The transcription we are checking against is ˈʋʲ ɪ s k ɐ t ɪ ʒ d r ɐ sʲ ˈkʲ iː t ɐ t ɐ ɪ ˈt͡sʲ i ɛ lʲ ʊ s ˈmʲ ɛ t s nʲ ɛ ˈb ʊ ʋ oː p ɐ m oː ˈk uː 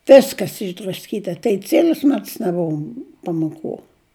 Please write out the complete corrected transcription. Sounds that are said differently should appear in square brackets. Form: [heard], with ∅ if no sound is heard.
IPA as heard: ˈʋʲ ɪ s k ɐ [s] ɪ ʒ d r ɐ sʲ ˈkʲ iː t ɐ t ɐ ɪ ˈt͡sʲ i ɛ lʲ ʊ s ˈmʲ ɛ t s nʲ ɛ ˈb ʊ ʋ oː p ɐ m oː ˈk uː